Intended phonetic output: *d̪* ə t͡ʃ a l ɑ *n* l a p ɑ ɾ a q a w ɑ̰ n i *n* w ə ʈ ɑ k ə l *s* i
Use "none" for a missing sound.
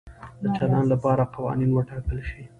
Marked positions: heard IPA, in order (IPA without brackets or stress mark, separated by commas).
d̪, n, n, ʃ